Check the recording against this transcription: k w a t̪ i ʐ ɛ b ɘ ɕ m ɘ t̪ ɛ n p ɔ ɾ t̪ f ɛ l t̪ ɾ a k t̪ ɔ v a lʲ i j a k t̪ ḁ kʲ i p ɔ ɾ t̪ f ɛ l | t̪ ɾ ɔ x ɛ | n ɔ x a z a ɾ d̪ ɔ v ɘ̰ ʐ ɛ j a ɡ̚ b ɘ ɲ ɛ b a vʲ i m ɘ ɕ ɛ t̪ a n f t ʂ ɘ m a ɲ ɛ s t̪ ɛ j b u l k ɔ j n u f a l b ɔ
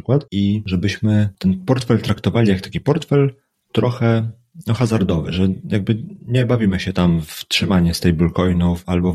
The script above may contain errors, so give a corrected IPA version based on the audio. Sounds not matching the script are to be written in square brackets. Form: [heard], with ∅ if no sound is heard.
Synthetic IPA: k w a t̪ i ʐ ɛ b ɘ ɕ m ɘ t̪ ɛ n p ɔ ɾ t̪ f ɛ l t̪ ɾ a k t̪ ɔ v a lʲ i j a k t̪ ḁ kʲ i p ɔ ɾ t̪ f ɛ l | t̪ ɾ ɔ x ɛ | n ɔ x a z a ɾ d̪ ɔ v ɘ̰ ʐ ɛ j a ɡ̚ b ɘ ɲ ɛ b a vʲ i m ɘ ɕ ɛ t̪ a [m] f t ʂ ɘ m a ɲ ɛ s t̪ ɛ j b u l k ɔ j n u f a l b ɔ